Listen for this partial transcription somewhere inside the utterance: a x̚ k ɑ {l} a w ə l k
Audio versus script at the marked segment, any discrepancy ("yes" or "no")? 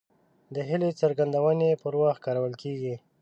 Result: yes